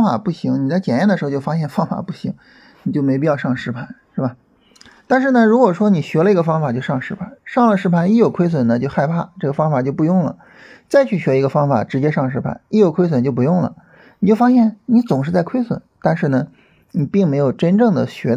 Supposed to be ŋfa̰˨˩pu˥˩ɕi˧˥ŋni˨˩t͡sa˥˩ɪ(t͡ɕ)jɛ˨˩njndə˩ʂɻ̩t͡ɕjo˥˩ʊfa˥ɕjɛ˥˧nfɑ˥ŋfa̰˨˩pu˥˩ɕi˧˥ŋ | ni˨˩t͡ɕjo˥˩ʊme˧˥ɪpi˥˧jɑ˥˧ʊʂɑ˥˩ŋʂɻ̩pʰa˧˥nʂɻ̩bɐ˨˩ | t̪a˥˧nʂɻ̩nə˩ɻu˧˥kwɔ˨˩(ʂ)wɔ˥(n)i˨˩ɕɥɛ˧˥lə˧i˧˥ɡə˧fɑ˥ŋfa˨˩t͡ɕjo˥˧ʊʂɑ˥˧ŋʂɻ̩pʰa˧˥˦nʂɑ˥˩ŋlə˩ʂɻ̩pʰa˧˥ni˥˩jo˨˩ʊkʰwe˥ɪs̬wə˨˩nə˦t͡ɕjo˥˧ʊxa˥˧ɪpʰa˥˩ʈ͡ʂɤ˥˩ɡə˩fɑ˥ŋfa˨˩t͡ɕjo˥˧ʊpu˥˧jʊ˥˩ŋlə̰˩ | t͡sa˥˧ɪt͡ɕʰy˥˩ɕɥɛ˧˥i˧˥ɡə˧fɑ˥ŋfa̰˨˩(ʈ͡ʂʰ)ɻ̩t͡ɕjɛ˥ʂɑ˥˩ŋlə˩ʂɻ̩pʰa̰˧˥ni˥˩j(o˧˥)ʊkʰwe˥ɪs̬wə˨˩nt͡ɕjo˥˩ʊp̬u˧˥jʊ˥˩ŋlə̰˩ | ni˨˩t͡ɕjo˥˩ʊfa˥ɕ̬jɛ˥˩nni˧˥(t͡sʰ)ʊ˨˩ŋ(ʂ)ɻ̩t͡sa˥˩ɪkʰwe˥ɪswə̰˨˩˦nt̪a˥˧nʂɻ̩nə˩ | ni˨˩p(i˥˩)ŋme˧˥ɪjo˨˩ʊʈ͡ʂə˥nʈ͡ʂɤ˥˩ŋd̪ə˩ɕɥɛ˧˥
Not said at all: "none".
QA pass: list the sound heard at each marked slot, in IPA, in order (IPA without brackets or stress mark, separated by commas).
t͡ɕ, ʂ, n, ʈ͡ʂ, o˨˩, t͡s, ʂ, i˥˩